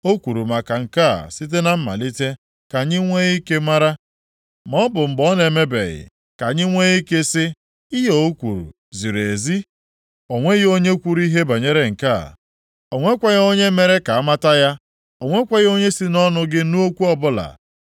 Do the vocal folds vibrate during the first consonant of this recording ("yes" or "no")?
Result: no